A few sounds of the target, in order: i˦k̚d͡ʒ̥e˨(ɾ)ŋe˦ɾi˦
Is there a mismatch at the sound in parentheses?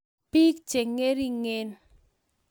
yes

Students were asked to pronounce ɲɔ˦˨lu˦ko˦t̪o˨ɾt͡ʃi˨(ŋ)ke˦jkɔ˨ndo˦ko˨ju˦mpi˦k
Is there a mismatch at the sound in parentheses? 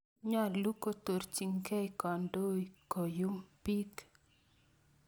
no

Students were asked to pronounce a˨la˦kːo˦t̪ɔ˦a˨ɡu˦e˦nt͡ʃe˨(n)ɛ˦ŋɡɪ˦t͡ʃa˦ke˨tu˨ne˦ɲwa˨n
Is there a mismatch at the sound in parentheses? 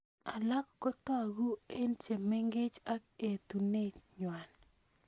yes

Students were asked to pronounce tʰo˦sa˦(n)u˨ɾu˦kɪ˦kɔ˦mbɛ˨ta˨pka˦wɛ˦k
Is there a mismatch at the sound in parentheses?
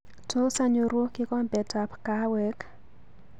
yes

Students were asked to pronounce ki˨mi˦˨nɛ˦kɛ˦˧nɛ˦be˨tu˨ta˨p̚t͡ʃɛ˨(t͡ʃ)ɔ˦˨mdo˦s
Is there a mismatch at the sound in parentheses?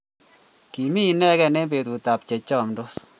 no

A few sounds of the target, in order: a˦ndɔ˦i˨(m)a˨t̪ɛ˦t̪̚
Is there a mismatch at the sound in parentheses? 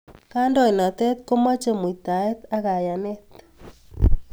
yes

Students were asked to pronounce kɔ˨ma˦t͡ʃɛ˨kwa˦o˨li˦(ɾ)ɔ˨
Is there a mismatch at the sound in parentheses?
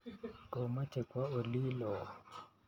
yes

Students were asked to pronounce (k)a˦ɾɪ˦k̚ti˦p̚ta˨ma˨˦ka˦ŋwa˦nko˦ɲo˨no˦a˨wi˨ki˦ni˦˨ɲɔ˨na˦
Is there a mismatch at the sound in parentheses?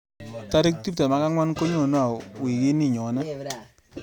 yes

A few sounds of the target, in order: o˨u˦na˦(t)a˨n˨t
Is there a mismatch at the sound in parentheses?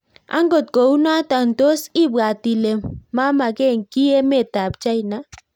no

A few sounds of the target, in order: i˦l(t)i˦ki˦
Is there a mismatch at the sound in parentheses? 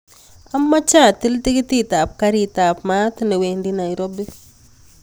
no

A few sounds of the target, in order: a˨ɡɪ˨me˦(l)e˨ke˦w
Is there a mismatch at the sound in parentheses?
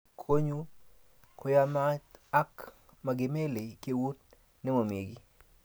no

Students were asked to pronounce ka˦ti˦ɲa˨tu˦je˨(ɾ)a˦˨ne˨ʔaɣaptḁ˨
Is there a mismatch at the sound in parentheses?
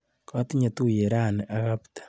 no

